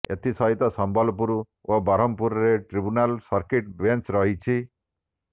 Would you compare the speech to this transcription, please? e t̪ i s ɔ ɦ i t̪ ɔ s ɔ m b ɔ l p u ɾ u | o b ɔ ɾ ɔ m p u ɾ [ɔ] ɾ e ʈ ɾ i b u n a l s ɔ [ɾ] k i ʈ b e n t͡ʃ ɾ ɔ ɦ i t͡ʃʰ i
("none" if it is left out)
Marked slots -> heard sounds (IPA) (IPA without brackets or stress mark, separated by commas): ɔ, ɾ